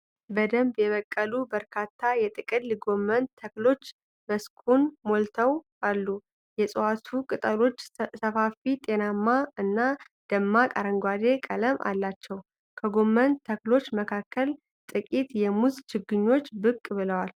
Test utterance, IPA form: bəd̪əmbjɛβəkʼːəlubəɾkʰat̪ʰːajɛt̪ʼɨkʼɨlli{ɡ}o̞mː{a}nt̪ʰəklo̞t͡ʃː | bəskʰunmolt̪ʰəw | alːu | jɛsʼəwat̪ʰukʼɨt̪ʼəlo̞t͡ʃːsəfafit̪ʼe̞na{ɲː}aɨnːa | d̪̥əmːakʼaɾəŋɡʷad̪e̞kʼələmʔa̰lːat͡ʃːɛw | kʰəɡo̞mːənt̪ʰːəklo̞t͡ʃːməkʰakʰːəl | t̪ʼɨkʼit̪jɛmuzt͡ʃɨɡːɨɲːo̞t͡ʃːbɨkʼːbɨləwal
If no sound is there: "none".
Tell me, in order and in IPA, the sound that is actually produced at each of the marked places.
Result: ɡ, ə, mː

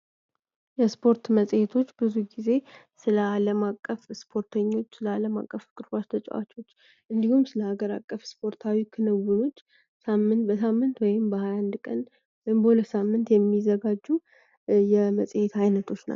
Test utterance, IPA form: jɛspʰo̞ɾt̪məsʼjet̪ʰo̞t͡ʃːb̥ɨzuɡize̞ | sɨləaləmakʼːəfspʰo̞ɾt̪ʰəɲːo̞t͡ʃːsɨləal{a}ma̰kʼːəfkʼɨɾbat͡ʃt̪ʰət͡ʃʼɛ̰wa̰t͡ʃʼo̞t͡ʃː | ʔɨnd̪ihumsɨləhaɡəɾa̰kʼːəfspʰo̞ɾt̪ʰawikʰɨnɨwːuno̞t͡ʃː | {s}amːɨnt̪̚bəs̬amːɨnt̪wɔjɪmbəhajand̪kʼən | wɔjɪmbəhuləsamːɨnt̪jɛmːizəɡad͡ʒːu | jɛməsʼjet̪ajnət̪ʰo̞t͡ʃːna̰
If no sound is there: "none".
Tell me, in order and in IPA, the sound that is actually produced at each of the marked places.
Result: ə, s

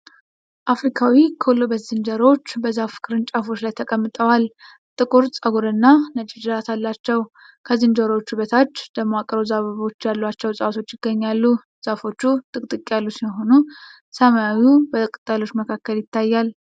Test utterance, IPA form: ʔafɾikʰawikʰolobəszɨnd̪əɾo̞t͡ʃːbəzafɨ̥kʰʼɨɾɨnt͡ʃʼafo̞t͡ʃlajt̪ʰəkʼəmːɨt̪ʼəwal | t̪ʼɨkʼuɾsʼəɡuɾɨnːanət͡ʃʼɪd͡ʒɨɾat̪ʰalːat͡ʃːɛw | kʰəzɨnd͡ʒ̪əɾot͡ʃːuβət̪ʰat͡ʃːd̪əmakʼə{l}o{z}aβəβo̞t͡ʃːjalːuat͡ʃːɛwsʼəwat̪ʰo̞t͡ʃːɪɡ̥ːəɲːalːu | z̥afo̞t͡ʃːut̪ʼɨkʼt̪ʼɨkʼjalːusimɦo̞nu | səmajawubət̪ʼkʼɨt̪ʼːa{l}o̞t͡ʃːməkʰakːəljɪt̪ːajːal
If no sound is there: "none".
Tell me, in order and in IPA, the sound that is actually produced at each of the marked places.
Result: ɾ, z, l

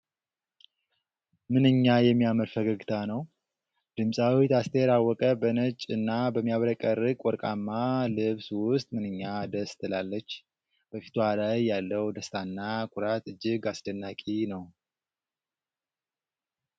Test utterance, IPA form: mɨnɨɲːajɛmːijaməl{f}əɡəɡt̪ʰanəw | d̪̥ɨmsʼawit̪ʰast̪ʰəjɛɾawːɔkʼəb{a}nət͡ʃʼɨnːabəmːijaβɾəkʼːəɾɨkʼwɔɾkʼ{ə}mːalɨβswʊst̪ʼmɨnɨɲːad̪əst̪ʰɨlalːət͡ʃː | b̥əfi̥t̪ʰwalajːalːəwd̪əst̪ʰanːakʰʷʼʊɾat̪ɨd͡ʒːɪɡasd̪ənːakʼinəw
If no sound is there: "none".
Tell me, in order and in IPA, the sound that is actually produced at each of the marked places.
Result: f, ə, a

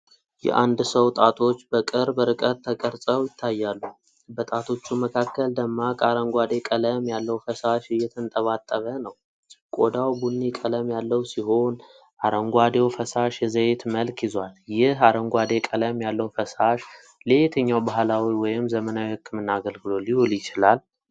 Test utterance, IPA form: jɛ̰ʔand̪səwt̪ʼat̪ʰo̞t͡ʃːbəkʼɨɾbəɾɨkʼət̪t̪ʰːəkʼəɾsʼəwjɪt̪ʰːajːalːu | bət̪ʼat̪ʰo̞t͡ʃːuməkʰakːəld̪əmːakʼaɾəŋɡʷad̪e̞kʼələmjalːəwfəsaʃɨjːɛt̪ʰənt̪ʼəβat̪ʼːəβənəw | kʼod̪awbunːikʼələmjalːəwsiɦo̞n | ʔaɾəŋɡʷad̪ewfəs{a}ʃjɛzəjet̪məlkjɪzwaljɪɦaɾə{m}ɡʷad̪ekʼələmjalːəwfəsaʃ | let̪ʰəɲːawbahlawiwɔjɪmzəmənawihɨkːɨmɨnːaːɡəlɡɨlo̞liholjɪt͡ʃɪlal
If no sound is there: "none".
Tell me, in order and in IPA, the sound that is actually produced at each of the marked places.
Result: a, ŋ

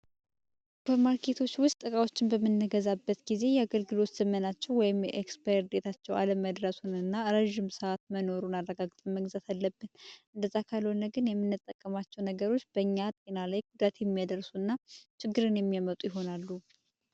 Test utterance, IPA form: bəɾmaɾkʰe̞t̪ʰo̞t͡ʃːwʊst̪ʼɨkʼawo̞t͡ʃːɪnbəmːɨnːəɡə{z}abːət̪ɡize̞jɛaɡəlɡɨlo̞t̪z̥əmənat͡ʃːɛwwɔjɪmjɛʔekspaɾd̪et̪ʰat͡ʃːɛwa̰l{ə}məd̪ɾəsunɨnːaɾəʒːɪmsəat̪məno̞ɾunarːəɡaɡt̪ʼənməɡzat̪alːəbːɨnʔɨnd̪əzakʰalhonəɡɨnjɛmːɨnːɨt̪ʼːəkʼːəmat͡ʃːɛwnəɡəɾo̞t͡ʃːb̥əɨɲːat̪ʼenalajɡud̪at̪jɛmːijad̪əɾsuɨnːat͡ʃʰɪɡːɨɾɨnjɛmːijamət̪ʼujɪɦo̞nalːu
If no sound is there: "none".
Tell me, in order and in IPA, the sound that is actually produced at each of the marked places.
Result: z, ə

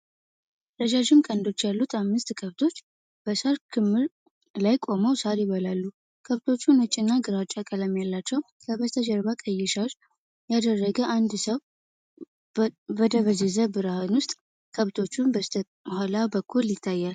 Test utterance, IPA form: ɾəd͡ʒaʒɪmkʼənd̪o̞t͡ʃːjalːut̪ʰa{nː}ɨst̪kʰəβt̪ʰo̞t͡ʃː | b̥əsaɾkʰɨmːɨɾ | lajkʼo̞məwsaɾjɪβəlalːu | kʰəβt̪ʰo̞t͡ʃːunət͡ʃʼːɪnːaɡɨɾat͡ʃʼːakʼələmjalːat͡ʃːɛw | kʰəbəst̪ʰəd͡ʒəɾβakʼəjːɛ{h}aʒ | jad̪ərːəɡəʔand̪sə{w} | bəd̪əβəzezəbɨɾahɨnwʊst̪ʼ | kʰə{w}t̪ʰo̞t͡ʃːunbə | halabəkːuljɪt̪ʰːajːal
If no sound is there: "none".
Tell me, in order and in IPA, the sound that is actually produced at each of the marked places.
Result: mː, ʃ, w, β

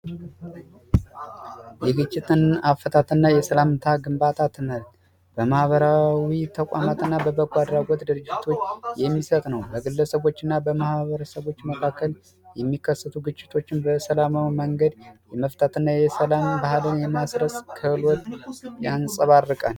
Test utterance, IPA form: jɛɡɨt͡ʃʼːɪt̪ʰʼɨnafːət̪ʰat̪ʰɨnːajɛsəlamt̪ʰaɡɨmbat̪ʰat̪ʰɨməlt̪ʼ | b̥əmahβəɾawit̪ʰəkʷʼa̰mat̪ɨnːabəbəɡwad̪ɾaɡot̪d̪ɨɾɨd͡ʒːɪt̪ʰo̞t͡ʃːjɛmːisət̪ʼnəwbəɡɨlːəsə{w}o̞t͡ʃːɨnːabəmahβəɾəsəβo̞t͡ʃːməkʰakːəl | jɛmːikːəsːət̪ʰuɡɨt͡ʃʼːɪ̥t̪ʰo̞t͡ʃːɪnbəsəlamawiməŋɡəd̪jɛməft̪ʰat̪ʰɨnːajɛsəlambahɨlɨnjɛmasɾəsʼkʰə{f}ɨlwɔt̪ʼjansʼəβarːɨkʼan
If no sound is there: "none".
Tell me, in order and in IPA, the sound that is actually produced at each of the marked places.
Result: β, h

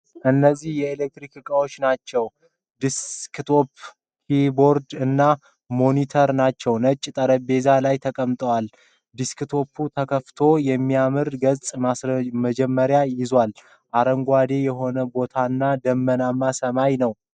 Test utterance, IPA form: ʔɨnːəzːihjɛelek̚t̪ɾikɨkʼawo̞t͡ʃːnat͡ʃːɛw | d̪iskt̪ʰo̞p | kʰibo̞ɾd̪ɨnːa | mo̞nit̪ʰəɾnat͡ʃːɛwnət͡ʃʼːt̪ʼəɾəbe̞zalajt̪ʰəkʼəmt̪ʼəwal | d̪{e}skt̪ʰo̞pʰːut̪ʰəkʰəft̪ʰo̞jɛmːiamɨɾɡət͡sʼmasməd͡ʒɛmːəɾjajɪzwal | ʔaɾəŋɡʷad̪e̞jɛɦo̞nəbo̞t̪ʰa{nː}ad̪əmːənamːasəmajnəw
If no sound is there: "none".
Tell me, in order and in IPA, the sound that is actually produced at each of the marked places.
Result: i, nː

